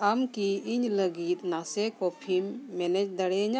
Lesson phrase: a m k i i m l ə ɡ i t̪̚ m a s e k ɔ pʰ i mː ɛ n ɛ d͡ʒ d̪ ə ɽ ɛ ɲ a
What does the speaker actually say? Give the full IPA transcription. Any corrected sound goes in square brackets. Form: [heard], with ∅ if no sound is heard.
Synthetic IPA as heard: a m k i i [ɲ] l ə ɡ i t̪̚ [n] a s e k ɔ pʰ i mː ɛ n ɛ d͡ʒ d̪ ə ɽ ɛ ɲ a